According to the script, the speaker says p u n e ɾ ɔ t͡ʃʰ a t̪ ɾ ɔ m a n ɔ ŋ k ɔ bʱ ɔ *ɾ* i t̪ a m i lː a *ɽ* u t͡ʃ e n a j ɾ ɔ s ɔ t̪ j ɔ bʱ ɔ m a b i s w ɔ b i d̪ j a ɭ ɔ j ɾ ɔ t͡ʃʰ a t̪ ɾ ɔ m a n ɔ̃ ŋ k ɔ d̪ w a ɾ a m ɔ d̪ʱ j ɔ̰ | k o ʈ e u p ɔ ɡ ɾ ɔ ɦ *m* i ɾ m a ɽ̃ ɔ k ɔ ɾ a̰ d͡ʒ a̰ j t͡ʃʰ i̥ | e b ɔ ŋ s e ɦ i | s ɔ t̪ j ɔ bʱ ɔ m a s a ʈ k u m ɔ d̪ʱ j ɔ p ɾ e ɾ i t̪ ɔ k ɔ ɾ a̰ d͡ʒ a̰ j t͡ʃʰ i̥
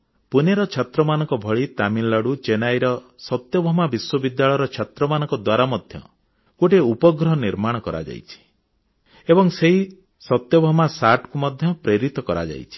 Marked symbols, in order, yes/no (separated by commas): no, yes, no